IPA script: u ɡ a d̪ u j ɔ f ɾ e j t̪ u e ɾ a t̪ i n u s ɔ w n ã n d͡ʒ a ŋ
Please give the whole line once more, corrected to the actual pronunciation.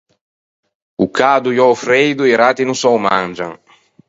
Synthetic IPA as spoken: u k a d̪ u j ɔ f ɾ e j d̪ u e ɾ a t̪ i n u s ɔ w m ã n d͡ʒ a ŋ